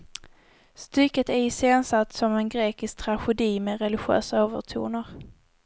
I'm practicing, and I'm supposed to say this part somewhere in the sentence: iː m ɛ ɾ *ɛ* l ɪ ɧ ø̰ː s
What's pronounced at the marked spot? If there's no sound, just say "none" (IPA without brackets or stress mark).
ɛ